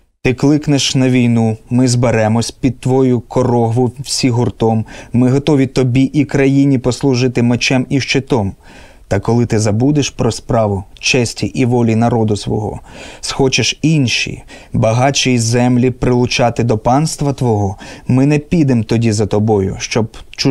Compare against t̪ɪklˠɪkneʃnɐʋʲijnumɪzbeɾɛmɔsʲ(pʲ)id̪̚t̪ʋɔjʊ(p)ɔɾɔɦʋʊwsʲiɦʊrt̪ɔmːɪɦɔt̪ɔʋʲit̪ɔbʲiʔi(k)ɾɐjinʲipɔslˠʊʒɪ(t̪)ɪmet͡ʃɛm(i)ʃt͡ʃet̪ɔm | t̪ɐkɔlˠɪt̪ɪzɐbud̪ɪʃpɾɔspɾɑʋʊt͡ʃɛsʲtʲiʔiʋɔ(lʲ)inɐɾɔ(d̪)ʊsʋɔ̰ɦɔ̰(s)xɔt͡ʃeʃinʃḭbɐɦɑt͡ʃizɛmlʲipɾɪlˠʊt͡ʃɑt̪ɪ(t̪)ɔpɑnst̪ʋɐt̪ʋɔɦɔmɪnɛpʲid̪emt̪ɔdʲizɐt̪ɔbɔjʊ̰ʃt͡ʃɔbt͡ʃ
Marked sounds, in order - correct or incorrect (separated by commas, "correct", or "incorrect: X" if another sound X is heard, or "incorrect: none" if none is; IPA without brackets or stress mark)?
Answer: correct, incorrect: k, correct, correct, correct, correct, correct, correct, incorrect: d̪